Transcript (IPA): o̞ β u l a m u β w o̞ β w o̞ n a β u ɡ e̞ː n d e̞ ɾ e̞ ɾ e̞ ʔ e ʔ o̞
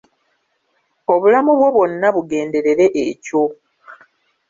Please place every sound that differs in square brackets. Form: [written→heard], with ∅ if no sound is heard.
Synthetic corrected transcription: o̞ β u l a m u β w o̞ β w o̞ [n→nː] a β u ɡ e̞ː n d e̞ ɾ e̞ ɾ e̞ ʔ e [ʔ→c] o̞